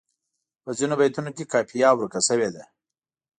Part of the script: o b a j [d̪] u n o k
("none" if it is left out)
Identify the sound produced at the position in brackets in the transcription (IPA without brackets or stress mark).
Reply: t̪